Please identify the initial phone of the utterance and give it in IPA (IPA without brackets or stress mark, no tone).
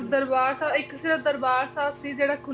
d̪